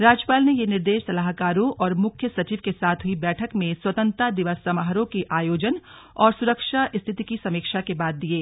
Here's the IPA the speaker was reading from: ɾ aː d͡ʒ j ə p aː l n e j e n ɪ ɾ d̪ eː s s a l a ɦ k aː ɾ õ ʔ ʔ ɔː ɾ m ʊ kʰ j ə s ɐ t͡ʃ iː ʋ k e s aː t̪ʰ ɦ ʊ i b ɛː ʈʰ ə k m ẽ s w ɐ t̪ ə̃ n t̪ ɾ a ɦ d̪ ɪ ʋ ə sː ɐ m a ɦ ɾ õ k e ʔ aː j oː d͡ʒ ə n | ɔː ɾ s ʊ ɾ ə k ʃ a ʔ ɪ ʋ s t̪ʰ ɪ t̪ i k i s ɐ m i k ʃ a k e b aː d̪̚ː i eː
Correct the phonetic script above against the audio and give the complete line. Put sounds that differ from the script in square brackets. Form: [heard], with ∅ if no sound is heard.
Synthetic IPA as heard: ɾ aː d͡ʒ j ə p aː l n e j e n ɪ ɾ d̪ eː [ʃ] s [ɐ] l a ɦ k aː ɾ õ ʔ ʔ ɔː ɾ m ʊ kʰ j ə s ɐ t͡ʃ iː ʋ k e s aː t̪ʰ ɦ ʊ i b ɛː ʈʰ ə k m ẽ s w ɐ t̪ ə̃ n t̪ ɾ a [∅] d̪ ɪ ʋ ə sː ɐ m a ɦ ɾ õ k e ʔ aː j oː d͡ʒ ə n | ɔː ɾ s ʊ ɾ ə k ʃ a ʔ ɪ [∅] s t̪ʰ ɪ t̪ i k i s ɐ m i k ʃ a k e b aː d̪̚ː i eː